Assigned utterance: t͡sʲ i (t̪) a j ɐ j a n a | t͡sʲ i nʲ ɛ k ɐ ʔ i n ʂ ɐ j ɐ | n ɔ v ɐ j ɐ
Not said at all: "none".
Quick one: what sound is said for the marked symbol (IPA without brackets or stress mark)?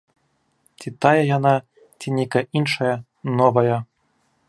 t̪